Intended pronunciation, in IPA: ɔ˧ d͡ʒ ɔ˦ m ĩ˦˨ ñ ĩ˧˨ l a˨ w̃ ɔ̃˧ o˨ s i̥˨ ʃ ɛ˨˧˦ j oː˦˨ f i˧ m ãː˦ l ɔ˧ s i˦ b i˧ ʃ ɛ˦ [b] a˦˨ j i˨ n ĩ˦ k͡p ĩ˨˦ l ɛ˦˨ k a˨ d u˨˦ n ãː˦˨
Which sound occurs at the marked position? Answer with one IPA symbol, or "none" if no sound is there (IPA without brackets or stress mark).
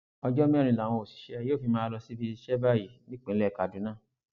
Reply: b